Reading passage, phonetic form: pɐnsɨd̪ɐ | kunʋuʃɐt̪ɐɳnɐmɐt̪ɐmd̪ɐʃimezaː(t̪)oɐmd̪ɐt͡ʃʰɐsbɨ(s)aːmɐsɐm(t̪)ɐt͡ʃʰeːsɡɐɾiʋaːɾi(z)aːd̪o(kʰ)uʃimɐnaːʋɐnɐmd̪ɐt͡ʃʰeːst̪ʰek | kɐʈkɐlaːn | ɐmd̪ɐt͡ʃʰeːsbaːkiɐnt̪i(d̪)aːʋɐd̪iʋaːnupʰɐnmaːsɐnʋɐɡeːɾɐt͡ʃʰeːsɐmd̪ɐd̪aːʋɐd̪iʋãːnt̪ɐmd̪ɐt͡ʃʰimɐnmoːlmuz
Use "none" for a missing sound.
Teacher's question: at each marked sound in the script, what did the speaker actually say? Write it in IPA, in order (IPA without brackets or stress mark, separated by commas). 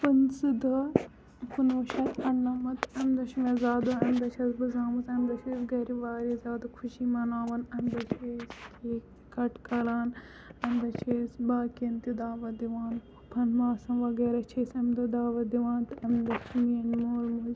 d̪, z, d̪, z, kʰ, d̪